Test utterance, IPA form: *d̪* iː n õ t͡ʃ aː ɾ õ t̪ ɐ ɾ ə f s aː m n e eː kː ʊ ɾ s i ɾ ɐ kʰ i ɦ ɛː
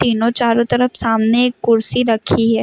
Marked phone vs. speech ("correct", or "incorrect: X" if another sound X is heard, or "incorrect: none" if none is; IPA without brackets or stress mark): incorrect: t̪